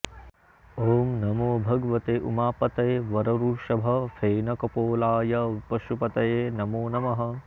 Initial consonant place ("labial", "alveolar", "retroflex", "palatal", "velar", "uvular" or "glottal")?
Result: labial